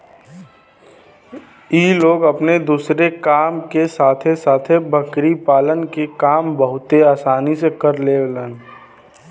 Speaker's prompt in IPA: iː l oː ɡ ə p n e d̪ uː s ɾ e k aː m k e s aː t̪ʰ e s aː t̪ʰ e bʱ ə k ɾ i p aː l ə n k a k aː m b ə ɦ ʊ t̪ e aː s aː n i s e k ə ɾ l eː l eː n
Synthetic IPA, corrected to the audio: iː l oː ɡ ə p n e d̪ uː s ɾ e k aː m k e s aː t̪ʰ e s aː t̪ʰ e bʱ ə k ɾ i p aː l ə n k e k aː m b ə ɦ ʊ t̪ e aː s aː n i s e k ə ɾ l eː l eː n

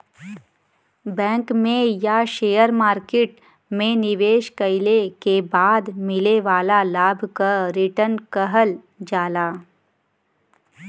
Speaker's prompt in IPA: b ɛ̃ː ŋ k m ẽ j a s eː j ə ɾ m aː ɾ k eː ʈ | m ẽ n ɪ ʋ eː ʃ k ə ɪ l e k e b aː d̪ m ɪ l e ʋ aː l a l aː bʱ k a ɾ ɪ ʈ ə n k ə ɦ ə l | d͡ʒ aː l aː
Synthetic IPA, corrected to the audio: b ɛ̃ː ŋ k m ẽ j a ʃ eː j ə ɾ m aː ɾ k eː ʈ | m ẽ n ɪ ʋ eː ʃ k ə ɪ l e k e b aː d̪ m ɪ l e ʋ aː l a l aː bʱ k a ɾ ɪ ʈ ə n k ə ɦ ə l | d͡ʒ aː l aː

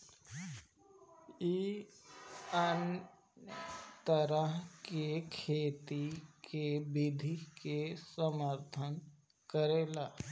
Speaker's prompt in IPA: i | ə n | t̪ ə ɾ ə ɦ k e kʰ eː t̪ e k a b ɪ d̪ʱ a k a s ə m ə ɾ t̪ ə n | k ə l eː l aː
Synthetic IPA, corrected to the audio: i | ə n | t̪ ə ɾ ə ɦ k e kʰ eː t̪ i k e b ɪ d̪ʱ i k e s ə m ə ɾ t̪ʰ ə n | k ə ɾ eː l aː

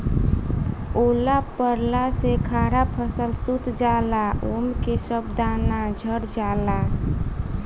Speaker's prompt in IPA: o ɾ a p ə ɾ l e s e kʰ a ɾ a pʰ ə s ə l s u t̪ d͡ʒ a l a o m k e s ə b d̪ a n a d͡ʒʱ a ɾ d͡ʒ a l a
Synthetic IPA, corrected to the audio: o l a p ə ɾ l a s e kʰ a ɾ a pʰ ə s ə l s u t̪ d͡ʒ a l a o m k e s ə b d̪ a n a d͡ʒʱ ə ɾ d͡ʒ a l a

